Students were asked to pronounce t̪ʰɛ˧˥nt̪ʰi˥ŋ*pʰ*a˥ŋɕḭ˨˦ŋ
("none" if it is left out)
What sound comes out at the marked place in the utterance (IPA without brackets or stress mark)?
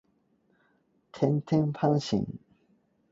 pʰ